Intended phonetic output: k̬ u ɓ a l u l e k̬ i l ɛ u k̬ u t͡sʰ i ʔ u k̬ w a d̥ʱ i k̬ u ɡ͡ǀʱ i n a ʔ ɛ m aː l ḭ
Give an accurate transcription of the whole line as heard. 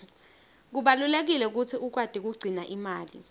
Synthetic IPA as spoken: k̬ u ɓ a l u l e k̬ i l ɛ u k̬ u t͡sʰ i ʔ u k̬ w a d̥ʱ i k̬ u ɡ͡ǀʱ i n a ʔ i m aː l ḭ